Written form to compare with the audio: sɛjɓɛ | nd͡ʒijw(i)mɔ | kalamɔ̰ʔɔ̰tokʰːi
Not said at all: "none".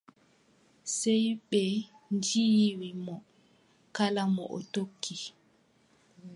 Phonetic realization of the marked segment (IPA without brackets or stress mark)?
i